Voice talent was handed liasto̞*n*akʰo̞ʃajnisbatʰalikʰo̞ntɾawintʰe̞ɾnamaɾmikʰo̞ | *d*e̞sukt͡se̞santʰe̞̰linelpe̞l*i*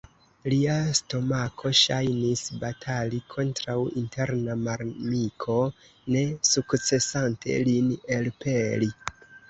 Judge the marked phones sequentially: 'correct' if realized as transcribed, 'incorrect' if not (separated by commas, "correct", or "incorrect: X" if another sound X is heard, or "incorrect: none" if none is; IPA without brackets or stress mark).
incorrect: m, incorrect: n, correct